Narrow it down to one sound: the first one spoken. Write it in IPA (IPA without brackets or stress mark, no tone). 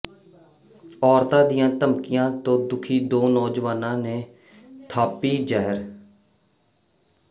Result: ɔː